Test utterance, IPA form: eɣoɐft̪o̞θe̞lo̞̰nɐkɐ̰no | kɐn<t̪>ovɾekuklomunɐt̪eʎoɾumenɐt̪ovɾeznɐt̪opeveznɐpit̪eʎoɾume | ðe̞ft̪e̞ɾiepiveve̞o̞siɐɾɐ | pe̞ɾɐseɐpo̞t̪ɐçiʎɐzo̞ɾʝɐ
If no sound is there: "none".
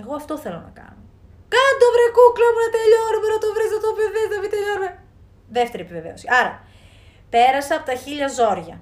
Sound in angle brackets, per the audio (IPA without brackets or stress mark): d̪